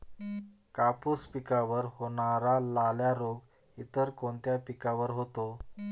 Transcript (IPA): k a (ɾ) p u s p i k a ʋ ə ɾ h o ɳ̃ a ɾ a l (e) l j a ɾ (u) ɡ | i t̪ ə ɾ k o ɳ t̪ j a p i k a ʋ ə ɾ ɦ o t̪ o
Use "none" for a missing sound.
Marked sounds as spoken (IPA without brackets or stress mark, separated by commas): none, a, o